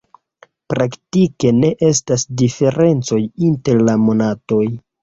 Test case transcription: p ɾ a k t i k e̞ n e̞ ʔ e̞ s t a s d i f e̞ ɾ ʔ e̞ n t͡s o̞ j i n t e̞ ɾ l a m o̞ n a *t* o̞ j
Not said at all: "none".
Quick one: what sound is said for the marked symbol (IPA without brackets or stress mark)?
t